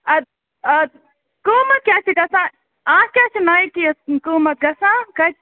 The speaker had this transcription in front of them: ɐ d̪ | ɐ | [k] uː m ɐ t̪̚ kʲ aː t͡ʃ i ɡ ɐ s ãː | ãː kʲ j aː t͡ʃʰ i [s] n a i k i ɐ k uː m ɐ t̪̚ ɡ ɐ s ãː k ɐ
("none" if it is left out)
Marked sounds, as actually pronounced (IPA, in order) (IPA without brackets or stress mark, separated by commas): k, none